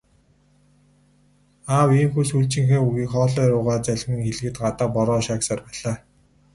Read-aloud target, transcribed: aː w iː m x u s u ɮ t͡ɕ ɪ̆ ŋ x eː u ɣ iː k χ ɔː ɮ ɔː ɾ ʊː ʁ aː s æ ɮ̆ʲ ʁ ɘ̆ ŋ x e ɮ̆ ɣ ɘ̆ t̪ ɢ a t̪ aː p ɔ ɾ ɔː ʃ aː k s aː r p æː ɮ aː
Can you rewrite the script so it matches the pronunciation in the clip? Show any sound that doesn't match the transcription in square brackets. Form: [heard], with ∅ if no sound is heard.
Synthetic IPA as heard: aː w iː m x u s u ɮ t͡ɕ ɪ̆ ŋ x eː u ɣ iː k χ ɔː ɮ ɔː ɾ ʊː ʁ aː [t͡s] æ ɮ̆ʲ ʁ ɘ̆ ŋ x e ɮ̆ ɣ ɘ̆ t̪ ɢ a t̪ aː p ɔ ɾ ɔː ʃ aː k s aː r p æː ɮ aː